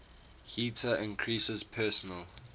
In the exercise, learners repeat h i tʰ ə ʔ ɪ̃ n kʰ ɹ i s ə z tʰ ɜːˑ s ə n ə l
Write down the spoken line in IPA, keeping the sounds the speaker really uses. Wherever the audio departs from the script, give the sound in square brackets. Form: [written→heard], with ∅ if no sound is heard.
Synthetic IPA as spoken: h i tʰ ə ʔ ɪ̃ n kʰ ɹ i s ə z [tʰ→pʰ] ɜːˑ s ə n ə l